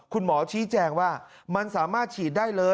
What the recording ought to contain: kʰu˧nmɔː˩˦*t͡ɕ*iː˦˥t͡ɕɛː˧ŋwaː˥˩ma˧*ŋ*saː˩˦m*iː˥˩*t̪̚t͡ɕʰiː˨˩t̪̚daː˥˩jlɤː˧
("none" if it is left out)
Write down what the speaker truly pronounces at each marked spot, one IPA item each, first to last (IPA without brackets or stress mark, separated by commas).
t͡ɕʰ, n, aː˥˩